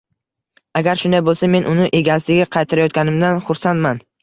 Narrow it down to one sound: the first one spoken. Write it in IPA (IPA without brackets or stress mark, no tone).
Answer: a